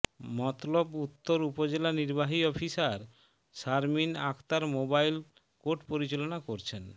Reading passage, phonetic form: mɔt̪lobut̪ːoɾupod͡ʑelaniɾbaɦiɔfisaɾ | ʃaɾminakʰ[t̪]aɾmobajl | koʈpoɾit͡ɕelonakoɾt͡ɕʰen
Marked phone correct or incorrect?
correct